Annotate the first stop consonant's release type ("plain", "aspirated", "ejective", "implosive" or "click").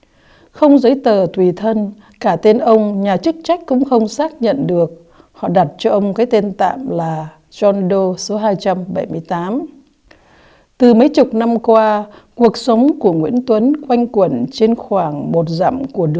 plain